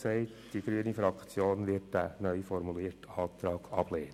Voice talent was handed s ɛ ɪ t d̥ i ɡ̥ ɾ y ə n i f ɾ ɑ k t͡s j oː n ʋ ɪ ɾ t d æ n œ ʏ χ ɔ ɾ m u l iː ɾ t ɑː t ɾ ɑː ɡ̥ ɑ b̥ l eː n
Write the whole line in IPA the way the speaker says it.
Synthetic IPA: s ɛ ɪ t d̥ i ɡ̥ ɾ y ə n i f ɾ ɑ k t͡s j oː n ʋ ɪ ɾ t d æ n œ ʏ f ɔ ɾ m u l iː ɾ t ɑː t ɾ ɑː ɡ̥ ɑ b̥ l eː n